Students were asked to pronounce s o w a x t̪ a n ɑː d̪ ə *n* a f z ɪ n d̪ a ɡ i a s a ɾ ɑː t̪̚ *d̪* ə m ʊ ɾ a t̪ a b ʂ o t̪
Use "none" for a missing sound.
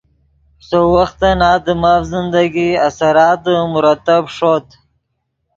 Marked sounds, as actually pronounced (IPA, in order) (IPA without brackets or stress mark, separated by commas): m, d̪